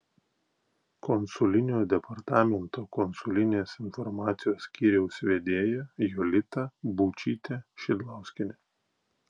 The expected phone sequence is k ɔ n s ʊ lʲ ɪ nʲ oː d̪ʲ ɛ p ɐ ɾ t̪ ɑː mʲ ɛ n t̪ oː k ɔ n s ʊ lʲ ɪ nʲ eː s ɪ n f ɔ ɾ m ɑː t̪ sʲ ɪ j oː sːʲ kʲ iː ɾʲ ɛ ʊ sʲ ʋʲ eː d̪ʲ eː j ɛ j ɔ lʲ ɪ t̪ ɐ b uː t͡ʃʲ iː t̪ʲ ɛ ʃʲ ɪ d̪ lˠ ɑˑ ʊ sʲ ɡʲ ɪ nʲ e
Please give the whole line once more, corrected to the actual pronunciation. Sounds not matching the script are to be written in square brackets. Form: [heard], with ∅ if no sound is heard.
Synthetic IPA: k ɔ n s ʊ lʲ ɪ nʲ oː d̪ʲ ɛ p ɐ ɾ t̪ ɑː mʲ ɛ n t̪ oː k ɔ n s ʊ lʲ ɪ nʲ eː s ɪ n f ɔ ɾ m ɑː t̪ sʲ ɪ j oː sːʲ kʲ iː ɾʲ ɛ ʊ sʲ ʋʲ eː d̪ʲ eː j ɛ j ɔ lʲ ɪ t̪ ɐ b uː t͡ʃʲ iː t̪ʲ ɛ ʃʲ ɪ d̪ lˠ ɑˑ ʊ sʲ [kʲ] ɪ nʲ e